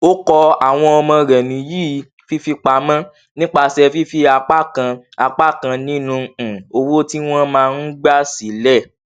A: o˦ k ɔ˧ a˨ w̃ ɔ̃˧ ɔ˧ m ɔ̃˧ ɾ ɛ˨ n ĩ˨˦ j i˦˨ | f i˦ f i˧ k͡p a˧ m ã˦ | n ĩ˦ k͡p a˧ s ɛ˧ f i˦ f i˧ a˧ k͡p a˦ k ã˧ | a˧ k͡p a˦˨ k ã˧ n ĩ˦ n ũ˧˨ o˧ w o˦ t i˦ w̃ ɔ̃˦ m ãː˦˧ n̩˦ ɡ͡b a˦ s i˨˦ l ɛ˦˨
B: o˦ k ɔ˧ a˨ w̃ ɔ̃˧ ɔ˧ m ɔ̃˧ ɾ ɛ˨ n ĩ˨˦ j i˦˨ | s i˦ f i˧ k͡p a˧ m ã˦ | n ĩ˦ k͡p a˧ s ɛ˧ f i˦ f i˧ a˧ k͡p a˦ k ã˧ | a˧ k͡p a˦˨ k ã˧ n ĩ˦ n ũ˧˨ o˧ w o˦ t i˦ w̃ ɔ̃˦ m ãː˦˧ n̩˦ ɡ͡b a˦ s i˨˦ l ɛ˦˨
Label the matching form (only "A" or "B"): A